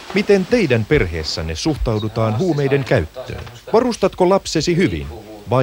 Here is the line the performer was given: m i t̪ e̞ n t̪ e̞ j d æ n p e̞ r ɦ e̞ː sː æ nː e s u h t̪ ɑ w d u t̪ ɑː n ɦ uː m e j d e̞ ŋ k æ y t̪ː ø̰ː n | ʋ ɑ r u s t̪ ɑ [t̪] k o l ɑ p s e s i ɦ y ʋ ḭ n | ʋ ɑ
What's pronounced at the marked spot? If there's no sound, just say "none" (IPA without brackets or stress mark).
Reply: t̪